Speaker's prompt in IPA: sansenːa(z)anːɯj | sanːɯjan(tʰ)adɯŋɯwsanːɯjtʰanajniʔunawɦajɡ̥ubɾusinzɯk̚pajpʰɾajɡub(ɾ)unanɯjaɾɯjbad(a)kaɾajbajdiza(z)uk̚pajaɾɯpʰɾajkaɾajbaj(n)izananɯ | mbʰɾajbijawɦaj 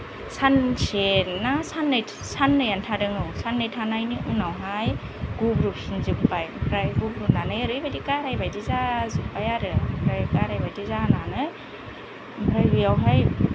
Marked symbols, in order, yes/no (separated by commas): no, yes, yes, no, yes, no